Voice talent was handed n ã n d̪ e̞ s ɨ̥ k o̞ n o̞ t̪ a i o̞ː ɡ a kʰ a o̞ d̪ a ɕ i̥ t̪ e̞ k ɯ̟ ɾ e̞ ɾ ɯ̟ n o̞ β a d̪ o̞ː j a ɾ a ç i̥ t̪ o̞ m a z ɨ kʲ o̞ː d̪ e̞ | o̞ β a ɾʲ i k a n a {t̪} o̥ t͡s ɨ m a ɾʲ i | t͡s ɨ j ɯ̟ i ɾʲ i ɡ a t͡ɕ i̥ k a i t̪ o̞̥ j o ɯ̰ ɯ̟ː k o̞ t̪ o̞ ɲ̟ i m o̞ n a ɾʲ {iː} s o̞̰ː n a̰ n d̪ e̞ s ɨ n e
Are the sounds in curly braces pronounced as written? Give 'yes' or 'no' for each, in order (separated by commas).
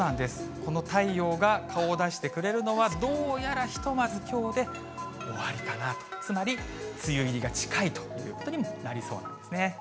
yes, no